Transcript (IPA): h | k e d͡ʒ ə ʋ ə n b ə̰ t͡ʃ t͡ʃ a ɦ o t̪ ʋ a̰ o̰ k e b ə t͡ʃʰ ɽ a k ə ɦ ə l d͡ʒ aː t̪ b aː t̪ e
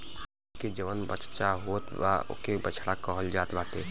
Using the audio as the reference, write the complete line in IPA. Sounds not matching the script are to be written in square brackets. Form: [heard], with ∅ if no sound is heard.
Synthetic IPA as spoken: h | k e d͡ʒ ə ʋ ə n b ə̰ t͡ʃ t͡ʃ a ɦ o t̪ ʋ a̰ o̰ k e b ə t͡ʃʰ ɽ a k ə ɦ ə l d͡ʒ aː t̪ b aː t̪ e